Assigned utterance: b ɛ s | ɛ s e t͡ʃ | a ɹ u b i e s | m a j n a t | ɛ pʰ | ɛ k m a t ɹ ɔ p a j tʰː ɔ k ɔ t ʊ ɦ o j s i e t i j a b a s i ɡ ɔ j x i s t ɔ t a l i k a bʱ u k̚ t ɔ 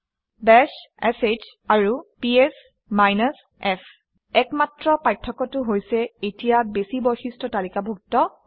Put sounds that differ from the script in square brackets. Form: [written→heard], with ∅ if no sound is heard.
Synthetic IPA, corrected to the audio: b ɛ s | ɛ s e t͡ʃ | a ɹ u [b→p] i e s | m a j n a [t→s] | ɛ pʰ | ɛ k m a t ɹ ɔ p a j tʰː ɔ k ɔ t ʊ ɦ o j s [i→ɛ] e t i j a b [a→e] s i [ɡ→b] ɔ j x i s t ɔ t a l i k a bʱ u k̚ t ɔ